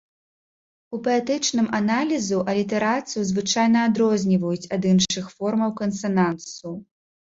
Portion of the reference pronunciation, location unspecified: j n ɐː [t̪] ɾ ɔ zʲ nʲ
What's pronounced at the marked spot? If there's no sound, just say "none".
d̪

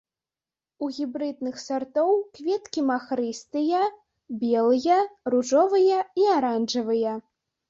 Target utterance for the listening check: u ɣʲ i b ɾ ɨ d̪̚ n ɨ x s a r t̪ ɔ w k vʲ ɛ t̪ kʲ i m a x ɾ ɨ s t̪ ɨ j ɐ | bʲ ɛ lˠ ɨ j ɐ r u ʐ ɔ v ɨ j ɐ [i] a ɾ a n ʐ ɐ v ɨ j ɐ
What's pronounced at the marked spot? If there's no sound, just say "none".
i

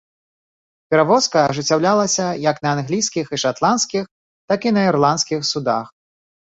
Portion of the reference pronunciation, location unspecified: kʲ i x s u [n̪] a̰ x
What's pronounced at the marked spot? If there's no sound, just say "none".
d̪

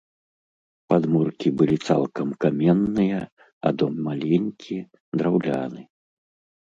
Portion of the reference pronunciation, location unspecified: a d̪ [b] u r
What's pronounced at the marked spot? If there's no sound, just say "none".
m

